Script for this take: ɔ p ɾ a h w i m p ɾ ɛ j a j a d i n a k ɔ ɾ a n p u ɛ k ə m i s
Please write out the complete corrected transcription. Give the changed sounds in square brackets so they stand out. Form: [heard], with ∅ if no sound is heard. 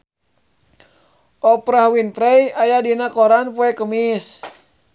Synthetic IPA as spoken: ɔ p ɾ a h w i [n] p ɾ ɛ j a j a d i n a k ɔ ɾ a n p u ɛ k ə m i s